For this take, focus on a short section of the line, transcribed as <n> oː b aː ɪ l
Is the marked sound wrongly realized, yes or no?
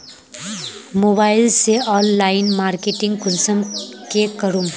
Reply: yes